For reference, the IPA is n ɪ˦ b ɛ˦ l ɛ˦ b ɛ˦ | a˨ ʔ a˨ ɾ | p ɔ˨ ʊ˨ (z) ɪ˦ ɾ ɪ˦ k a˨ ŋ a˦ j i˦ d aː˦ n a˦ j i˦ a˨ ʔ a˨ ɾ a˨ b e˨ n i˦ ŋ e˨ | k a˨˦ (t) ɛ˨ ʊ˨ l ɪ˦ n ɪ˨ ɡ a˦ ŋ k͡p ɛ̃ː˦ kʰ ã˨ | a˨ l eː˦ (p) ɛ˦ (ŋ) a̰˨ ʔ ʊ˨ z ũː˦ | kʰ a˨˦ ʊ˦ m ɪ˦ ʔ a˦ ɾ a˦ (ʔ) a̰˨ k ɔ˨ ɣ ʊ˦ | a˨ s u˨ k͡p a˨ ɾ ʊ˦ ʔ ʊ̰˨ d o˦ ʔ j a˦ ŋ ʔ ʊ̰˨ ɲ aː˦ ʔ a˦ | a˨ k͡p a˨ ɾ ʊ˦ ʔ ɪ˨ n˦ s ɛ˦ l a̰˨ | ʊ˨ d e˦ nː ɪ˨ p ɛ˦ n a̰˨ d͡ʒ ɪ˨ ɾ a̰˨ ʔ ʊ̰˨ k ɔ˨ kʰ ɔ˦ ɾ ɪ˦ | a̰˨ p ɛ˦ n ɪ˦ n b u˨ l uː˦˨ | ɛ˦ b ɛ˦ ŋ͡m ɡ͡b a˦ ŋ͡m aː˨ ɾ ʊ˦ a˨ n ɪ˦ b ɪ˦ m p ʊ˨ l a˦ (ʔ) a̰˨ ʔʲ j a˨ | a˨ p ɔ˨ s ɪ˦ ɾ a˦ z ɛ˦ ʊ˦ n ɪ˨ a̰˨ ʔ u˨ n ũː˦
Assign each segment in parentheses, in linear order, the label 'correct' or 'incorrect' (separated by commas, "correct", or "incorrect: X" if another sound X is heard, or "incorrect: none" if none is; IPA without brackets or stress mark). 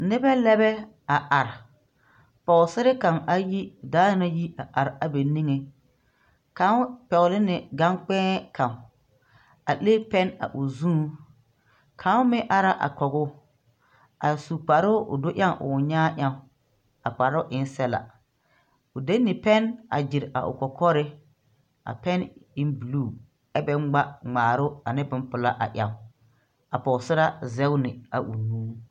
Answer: incorrect: s, incorrect: p, correct, incorrect: n, correct, correct